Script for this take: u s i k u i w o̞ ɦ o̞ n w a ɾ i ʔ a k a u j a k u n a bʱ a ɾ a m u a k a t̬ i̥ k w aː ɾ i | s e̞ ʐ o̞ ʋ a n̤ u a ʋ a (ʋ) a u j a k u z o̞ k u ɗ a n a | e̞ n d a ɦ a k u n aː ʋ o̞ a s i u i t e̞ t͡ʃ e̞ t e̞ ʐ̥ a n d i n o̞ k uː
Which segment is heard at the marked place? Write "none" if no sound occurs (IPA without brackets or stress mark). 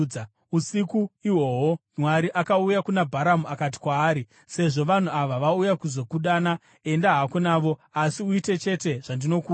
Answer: ʋ